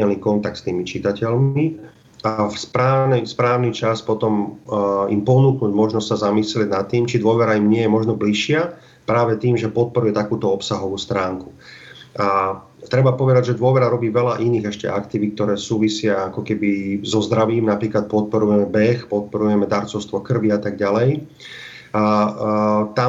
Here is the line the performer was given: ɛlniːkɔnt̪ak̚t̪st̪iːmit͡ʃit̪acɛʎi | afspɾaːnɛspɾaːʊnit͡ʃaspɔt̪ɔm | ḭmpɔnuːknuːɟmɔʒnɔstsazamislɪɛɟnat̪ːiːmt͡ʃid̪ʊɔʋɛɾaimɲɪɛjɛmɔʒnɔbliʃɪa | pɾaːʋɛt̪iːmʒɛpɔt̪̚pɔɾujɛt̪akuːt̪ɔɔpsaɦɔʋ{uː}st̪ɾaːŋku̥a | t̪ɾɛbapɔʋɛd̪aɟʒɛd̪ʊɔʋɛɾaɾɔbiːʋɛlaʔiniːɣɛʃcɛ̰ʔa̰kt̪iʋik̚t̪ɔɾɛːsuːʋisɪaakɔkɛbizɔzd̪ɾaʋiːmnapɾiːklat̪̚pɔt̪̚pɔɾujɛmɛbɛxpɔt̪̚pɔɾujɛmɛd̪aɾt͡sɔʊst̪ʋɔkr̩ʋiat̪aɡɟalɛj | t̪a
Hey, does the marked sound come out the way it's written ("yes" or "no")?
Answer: yes